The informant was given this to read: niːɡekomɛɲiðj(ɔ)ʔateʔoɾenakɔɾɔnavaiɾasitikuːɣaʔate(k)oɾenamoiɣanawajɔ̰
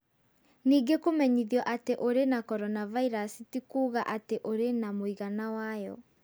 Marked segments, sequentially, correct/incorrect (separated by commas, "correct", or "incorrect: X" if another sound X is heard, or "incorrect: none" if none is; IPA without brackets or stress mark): correct, incorrect: ʔ